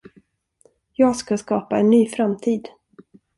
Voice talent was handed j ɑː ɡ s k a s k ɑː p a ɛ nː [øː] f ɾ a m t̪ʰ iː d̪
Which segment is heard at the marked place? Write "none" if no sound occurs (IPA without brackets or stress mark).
yː